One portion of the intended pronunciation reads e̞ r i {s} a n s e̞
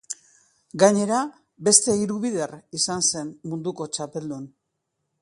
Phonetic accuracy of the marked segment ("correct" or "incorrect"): correct